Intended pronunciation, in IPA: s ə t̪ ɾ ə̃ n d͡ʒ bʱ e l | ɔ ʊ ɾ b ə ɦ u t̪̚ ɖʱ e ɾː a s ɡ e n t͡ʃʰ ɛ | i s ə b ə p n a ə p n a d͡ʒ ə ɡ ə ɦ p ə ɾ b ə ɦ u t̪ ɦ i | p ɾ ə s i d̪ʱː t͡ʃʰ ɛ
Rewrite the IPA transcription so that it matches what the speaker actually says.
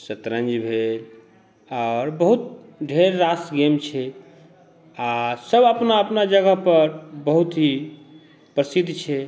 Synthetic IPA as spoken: s ə t̪ ɾ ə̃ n d͡ʒ bʱ e l | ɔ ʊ ɾ b ə ɦ u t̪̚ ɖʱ e ɾː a s ɡ e m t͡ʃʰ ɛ | a s ə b ə p n a ə p n a d͡ʒ ə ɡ ə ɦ p ə ɾ b ə ɦ u t̪ ɦ i | p ɾ ə s i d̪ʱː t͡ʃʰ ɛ